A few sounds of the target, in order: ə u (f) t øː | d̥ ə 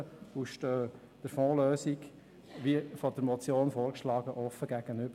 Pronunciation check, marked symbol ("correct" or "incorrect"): incorrect